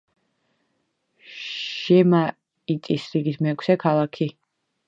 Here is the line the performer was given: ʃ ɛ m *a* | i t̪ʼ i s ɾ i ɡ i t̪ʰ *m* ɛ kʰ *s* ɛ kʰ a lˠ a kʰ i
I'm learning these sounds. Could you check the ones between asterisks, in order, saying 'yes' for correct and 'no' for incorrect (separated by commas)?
yes, yes, yes